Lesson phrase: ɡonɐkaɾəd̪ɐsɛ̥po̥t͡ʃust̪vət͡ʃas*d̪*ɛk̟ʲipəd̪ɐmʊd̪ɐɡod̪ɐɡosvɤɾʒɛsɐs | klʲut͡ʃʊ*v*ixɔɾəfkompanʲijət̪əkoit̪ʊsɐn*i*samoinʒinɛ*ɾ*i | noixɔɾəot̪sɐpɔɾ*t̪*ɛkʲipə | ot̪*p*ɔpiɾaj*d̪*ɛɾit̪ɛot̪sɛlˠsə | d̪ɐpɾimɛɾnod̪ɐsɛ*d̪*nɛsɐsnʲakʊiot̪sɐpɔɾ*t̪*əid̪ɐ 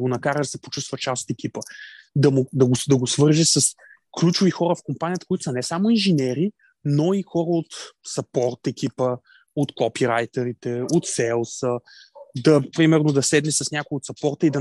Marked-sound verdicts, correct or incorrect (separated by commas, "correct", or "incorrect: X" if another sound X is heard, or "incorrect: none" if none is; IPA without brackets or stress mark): incorrect: t̪, correct, incorrect: ɛ, correct, correct, incorrect: k, incorrect: t̪, correct, correct